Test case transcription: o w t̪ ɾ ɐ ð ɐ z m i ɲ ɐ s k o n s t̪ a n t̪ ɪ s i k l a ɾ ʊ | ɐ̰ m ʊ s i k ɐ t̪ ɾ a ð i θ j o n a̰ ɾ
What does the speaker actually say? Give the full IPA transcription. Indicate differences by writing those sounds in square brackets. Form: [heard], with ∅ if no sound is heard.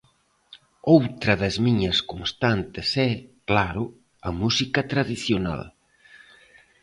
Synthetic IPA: o w t̪ ɾ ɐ ð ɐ z m i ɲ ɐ s k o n s t̪ a n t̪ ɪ s [ɛ] k l a ɾ ʊ | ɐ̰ m [u] s i k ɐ t̪ ɾ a ð i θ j o n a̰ [l]